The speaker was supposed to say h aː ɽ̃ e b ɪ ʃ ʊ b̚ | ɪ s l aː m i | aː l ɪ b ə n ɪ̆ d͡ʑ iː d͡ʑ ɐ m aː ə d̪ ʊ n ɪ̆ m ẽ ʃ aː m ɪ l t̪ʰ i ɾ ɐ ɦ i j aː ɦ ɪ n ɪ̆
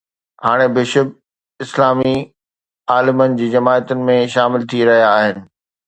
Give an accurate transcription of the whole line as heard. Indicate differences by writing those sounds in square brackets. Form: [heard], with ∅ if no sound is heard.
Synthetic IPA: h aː ɽ̃ e b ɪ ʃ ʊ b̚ | ɪ s l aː m i | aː l ɪ [m] ə n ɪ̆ d͡ʑ iː d͡ʑ ɐ m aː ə [t̪] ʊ n ɪ̆ m ẽ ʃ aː m ɪ l t̪ʰ i ɾ ɐ ɦ i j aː ɦ ɪ n ɪ̆